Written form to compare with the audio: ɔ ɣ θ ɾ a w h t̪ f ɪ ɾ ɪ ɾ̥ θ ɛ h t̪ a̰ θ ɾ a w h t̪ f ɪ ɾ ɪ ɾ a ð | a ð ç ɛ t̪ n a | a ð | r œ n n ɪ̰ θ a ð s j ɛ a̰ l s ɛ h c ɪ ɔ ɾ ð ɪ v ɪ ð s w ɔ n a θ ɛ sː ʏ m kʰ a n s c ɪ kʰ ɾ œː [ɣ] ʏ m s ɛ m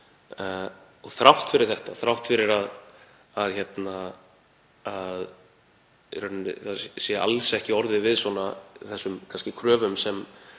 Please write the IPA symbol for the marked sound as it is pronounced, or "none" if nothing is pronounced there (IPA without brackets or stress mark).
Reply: v